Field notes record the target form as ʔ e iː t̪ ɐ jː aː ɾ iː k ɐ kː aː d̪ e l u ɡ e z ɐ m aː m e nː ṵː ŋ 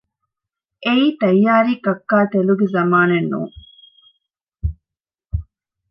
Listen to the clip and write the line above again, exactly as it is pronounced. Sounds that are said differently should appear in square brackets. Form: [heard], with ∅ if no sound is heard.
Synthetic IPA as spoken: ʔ e iː t̪ ɐ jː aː ɾ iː k ɐ kː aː [t̪] e l u ɡ e z ɐ m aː [n] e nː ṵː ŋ